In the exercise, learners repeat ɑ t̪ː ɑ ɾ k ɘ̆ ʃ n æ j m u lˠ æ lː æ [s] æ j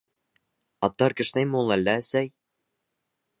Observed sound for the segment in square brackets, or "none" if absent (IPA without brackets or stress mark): s